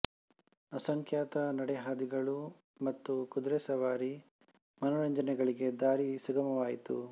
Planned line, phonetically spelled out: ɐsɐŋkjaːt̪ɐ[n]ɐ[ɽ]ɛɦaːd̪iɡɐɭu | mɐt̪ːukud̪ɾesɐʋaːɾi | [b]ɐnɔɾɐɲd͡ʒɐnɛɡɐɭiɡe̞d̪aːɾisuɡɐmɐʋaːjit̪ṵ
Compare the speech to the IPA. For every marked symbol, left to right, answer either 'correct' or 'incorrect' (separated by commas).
correct, correct, incorrect